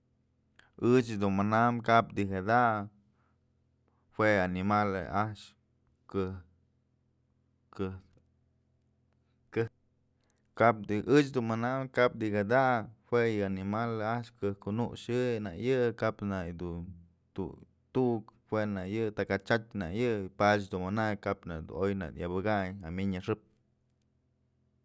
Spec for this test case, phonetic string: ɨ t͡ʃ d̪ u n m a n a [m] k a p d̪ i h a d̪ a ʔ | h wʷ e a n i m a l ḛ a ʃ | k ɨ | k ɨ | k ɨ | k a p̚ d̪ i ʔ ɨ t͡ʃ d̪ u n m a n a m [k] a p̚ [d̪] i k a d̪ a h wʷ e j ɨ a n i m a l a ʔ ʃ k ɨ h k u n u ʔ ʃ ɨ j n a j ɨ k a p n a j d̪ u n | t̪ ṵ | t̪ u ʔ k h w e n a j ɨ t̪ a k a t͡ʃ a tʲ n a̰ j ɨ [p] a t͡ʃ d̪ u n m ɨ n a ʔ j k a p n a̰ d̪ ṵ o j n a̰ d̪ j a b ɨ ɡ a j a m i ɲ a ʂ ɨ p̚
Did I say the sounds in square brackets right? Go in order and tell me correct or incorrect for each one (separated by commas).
correct, correct, correct, correct